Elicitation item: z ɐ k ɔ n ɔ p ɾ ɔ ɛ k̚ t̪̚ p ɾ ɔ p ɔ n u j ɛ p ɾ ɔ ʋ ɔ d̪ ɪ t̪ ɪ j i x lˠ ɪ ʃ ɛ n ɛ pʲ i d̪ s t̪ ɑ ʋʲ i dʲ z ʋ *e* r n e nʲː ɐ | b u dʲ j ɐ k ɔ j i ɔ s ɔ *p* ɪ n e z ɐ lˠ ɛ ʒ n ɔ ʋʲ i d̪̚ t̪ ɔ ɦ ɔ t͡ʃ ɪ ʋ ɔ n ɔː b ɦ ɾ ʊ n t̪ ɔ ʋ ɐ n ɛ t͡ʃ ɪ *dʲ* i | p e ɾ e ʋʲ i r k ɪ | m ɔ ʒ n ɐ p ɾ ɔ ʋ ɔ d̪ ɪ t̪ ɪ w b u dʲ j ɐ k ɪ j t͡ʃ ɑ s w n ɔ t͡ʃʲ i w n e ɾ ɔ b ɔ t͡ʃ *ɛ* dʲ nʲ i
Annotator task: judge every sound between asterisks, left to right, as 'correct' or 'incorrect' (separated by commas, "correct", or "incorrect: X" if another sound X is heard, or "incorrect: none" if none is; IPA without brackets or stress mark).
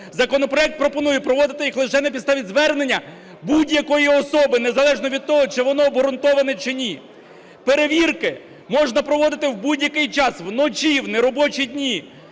incorrect: ɛ, incorrect: b, incorrect: nʲ, incorrect: i